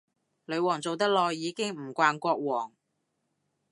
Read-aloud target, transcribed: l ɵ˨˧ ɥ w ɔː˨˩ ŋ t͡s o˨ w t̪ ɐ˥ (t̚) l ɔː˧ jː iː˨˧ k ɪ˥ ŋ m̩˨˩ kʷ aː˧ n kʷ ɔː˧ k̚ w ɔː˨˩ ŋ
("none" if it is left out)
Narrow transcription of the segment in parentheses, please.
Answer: k̚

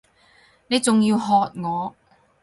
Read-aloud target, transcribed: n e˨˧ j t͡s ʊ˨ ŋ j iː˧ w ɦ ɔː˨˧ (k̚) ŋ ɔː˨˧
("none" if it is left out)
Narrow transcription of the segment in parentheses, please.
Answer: t̚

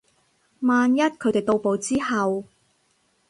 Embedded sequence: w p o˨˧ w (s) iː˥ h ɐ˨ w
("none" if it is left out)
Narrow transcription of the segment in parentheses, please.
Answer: t͡s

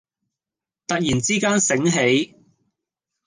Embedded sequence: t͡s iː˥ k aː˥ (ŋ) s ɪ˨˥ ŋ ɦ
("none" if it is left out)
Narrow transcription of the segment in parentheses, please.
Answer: n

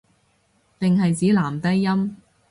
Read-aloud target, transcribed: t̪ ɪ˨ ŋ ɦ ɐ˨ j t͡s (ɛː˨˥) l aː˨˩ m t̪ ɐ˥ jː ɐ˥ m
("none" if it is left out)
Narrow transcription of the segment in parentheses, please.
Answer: iː˨˥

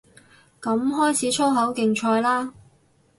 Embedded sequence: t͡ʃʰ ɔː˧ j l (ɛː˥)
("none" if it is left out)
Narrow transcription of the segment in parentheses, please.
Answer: aː˥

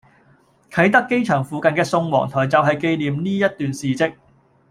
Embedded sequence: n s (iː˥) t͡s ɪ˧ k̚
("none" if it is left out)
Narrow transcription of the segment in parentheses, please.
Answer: iː˨˩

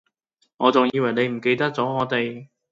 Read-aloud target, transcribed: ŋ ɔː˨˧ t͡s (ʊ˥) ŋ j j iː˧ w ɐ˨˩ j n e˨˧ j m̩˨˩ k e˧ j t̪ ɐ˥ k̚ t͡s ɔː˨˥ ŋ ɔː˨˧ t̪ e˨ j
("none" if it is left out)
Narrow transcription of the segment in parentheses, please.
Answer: ʊ˨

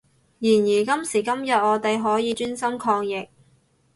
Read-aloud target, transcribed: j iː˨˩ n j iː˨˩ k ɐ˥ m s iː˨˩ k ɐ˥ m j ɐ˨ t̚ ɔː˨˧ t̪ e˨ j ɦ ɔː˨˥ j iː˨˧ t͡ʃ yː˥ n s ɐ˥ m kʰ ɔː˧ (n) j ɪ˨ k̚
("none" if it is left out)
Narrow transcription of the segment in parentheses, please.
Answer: ŋ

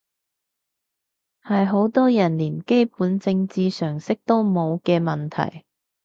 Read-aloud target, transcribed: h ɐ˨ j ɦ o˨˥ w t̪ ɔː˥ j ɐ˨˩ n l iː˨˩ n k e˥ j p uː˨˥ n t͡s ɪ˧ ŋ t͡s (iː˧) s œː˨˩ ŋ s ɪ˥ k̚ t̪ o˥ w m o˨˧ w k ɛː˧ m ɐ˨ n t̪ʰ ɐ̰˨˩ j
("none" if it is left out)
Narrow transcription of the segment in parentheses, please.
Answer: iː˧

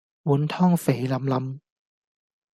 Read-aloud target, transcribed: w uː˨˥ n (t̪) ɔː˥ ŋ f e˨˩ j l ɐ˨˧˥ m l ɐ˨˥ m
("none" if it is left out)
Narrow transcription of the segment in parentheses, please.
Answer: t̪ʰ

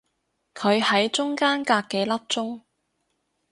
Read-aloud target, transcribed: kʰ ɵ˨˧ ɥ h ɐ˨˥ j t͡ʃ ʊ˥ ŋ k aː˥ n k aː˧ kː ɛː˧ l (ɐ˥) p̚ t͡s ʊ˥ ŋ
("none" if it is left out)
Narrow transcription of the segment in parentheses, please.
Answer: ɐ˥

